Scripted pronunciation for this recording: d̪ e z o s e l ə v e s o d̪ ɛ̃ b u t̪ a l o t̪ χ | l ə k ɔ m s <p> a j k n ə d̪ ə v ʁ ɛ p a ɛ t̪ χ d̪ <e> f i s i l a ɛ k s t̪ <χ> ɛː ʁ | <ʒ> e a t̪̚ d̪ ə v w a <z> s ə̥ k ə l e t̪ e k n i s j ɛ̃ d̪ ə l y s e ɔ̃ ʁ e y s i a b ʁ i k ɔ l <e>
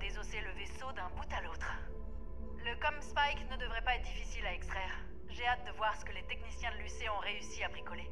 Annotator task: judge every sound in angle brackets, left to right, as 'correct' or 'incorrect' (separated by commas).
correct, incorrect, correct, correct, incorrect, correct